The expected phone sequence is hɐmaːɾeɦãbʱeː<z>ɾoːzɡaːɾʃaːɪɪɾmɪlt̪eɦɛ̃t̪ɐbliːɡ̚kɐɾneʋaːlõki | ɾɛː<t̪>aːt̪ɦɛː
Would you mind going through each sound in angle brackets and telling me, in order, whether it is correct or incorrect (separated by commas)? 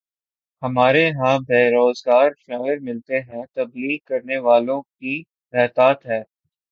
incorrect, correct